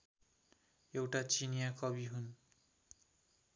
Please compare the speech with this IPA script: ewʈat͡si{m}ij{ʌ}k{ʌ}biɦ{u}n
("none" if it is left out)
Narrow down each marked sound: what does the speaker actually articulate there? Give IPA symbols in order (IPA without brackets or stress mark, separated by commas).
n, a, ʌ, u